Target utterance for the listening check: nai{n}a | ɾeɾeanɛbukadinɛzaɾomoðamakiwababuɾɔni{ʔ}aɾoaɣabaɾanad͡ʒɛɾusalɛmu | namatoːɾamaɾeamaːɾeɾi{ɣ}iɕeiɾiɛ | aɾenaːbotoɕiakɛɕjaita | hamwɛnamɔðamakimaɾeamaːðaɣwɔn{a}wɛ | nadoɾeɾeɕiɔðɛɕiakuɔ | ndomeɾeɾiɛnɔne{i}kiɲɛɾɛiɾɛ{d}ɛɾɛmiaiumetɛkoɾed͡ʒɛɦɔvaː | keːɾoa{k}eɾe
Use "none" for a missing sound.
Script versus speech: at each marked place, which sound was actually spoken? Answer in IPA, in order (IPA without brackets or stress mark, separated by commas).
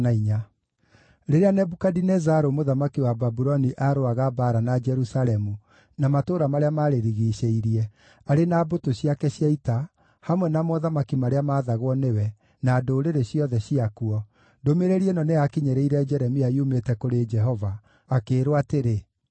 ɲ, ʔ, ɣ, e, a, d͡ʒ, t